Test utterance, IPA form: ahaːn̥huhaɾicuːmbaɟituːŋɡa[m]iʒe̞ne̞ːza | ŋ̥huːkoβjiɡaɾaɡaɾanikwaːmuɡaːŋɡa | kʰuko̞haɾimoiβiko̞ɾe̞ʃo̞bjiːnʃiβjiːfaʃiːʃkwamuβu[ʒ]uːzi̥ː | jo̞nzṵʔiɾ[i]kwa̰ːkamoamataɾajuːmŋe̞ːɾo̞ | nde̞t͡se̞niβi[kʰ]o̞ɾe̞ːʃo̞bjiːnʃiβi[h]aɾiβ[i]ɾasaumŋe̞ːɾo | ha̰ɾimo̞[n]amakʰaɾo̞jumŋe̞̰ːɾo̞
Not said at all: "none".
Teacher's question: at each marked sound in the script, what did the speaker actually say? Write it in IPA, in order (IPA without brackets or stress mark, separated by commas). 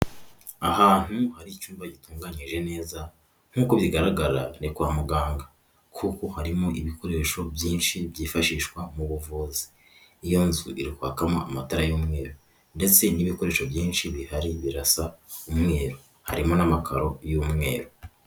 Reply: ɲ, v, i, k, h, i, n